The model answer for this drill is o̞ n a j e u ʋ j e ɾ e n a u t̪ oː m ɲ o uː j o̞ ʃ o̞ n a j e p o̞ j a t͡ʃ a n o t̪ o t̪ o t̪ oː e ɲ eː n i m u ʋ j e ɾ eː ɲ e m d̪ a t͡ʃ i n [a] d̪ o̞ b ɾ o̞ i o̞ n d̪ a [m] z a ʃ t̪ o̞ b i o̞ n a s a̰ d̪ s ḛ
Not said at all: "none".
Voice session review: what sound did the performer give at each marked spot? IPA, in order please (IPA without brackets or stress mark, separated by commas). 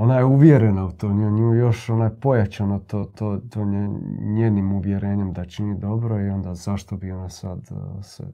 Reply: i, none